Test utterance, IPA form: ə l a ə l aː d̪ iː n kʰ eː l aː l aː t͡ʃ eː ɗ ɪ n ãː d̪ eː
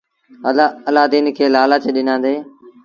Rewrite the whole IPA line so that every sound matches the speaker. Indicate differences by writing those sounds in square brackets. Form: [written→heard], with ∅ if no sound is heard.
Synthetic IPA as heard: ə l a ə l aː d̪ iː n kʰ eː l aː l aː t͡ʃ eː ɗ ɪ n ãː d̪ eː